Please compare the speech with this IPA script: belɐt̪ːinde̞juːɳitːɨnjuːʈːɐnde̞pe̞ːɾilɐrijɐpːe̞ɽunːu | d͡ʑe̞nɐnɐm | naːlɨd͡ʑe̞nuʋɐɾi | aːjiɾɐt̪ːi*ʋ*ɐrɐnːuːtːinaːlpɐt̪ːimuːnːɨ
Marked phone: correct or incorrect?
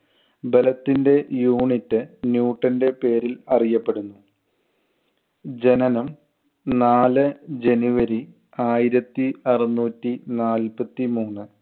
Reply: incorrect